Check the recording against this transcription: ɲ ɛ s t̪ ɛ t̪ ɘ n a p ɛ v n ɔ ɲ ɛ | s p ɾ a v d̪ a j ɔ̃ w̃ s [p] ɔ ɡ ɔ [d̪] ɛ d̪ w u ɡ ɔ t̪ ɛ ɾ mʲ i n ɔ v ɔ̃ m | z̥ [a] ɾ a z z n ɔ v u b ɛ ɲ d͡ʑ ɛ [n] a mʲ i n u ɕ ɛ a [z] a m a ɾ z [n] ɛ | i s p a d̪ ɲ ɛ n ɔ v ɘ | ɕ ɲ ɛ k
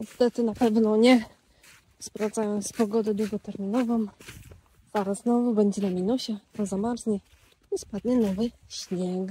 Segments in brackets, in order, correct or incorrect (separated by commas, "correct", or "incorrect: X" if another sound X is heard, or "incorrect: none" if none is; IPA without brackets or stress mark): correct, correct, correct, correct, correct, incorrect: ɲ